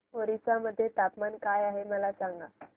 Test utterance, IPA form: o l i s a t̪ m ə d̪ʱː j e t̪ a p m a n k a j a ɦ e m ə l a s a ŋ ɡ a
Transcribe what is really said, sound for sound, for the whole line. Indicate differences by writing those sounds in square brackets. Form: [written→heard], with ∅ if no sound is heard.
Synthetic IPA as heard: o [l→ɾ] i s a [t̪→∅] m ə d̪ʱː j e t̪ a p m a n k a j a ɦ e m ə l a s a ŋ ɡ a

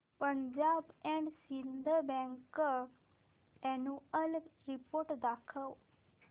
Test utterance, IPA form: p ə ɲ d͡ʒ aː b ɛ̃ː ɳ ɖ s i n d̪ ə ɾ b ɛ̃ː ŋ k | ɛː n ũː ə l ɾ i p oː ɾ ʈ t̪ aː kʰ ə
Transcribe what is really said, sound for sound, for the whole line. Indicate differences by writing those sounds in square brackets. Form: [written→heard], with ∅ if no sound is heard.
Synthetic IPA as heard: p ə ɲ d͡ʒ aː b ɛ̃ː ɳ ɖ s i n d̪ ə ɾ b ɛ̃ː ŋ k | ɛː n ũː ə l ɾ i p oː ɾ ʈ [t̪→d̪] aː kʰ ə

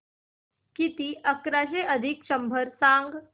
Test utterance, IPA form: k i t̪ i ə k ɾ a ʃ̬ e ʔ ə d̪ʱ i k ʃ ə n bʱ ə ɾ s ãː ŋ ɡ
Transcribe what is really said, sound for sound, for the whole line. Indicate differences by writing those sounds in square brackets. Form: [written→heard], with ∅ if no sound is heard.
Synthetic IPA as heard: k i t̪ i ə k ɾ a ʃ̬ e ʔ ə d̪ʱ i k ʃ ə [n→m] bʱ ə ɾ s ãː ŋ ɡ

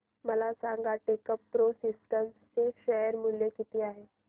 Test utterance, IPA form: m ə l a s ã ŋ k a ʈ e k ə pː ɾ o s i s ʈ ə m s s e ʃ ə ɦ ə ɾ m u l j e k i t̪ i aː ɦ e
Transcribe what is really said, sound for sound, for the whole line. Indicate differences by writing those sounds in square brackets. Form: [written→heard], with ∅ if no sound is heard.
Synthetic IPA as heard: m ə l a s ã ŋ [k→ɡ] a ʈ e k ə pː ɾ o s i s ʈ ə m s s e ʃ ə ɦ ə ɾ m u l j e k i t̪ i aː ɦ e

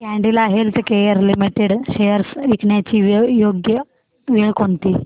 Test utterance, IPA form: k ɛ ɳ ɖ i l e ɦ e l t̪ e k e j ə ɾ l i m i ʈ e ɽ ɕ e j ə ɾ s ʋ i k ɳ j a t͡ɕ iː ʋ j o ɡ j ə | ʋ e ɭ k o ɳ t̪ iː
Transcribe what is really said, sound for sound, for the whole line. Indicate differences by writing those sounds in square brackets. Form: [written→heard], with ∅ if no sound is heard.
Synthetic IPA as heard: k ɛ ɳ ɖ i l [e→a] ɦ e l t̪ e k e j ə ɾ l i m i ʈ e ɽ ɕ e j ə ɾ s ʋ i k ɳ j a t͡ɕ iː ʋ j o ɡ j ə | ʋ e ɭ k o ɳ t̪ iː

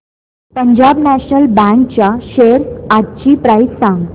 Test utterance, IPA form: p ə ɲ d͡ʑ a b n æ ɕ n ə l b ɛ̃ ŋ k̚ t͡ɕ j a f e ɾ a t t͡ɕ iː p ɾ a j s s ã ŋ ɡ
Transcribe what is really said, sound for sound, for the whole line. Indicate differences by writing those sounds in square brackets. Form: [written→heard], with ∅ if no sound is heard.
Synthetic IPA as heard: p ə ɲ d͡ʑ a b n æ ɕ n ə l b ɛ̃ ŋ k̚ t͡ɕ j a [f→ɕ] e ɾ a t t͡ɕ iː p ɾ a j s s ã ŋ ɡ

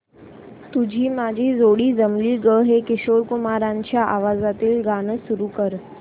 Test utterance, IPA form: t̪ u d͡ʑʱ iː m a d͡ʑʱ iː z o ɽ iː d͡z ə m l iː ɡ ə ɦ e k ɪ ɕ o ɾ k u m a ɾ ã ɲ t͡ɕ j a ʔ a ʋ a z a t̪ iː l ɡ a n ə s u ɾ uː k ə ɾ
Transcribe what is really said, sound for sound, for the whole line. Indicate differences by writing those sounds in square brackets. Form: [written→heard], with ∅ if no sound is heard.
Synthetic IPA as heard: t̪ u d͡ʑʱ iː m a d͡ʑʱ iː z o ɽ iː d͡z ə m l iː ɡ ə ɦ e k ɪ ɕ o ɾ k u m a ɾ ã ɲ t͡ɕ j a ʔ a ʋ a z a t̪ iː l ɡ a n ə s u ɾ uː k ə ɾ

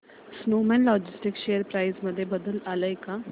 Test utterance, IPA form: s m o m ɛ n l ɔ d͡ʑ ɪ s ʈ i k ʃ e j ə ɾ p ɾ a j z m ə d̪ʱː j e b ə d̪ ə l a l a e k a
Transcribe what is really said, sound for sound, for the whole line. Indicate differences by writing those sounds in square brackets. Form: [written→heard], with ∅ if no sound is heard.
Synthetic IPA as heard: s [m→n] o m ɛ n l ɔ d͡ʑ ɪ s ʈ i k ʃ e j ə ɾ p ɾ a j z m ə d̪ʱː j e b ə d̪ ə l a l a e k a

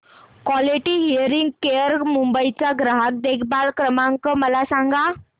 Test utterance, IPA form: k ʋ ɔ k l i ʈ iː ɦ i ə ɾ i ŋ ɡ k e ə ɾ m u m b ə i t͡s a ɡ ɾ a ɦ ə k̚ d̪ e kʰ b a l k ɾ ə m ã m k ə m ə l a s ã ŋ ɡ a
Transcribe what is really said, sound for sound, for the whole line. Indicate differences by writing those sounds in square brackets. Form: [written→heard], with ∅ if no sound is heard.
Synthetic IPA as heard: k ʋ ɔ [k→∅] l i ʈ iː ɦ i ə ɾ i ŋ ɡ k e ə ɾ m u m b ə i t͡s a ɡ ɾ a ɦ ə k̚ d̪ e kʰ b a l k ɾ ə m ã [m→ŋ] k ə m ə l a s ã ŋ ɡ a

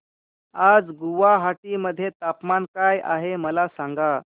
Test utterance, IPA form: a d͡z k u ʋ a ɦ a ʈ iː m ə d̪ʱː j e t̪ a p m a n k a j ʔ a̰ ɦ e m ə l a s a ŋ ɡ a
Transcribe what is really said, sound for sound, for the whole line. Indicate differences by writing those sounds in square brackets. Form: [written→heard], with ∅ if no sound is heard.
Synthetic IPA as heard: a d͡z [k→ɡ] u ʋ a ɦ a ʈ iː m ə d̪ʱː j e t̪ a p m a n k a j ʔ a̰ ɦ e m ə l a s a ŋ ɡ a

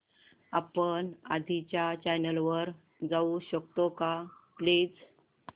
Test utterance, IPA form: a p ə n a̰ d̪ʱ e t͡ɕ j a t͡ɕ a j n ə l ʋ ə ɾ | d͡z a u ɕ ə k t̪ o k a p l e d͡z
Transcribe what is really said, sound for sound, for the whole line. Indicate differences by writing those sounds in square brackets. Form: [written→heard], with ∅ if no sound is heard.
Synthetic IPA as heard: a p ə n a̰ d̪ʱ [e→i] t͡ɕ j a t͡ɕ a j n ə l ʋ ə ɾ | d͡z a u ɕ ə k t̪ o k a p l e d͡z

